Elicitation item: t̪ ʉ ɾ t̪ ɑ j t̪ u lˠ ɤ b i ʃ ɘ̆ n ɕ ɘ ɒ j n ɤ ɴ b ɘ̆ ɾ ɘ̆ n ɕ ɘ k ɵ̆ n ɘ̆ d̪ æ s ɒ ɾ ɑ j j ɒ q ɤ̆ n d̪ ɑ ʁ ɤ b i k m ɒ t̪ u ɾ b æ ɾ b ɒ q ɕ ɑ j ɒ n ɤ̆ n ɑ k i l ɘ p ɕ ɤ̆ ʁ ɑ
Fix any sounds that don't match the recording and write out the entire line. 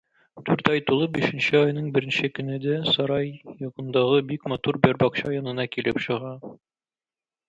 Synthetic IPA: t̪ ʉ ɾ t̪ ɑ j t̪ u lˠ ɤ b i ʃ ɘ̆ n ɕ ɘ ɒ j n ɤ ɴ b ɘ̆ ɾ ɘ̆ n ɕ ɘ k ɵ̆ n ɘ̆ d̪ æ s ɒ ɾ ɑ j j ɒ q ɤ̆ n d̪ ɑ ʁ ɤ b i k m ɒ t̪ u ɾ b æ ɾ b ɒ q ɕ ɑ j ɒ n ɤ̆ n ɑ k i l ɘ p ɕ ɤ̆ ʁ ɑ